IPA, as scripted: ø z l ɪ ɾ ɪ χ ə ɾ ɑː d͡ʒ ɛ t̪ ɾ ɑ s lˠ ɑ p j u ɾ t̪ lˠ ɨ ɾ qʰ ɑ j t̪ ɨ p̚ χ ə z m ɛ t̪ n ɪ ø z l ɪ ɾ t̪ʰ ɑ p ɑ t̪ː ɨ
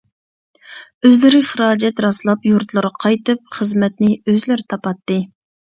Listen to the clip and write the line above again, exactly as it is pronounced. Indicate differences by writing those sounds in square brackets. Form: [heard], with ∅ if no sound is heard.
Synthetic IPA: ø z l ɪ ɾ ɪ χ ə ɾ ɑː d͡ʒ ɛ t̪ ɾ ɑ s lˠ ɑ p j u ɾ t̪ lˠ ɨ ɾ qʰ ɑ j t̪ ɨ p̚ χ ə z m ɛ t̪ n ɪ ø z l ɪ ɾ t̪ʰ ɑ p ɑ t̪ː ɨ